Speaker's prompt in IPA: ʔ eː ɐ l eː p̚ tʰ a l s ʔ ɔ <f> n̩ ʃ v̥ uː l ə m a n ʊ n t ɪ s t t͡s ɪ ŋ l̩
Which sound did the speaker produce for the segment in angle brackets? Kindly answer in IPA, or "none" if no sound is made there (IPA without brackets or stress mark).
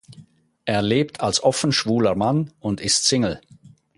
f